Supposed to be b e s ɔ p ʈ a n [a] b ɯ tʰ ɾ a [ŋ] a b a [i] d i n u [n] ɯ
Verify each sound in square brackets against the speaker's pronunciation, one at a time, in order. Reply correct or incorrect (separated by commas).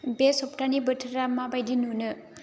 incorrect, incorrect, incorrect, correct